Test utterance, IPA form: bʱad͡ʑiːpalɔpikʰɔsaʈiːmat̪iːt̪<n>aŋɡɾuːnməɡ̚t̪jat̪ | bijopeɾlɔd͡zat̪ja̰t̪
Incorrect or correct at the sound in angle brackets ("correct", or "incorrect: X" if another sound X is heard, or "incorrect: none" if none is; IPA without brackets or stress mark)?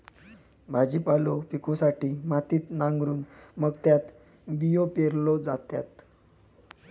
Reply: correct